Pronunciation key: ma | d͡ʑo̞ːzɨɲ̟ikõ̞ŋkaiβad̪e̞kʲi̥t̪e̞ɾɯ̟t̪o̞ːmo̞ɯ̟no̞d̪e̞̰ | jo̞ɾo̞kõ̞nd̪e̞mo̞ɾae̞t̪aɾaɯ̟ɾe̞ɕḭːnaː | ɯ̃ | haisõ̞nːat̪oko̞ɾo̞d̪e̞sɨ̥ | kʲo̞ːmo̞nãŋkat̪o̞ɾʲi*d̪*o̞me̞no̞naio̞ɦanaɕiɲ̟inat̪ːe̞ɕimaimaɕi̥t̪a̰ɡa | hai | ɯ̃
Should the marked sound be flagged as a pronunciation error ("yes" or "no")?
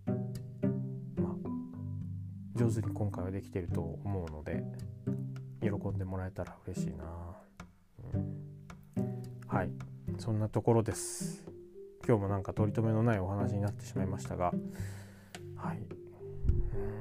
yes